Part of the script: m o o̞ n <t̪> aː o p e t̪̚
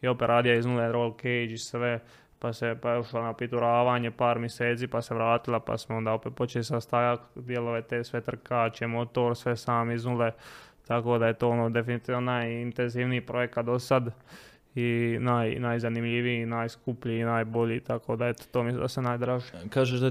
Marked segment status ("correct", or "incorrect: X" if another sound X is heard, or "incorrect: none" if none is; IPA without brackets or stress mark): incorrect: d̪